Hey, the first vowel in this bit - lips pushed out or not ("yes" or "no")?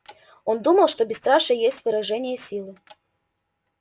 yes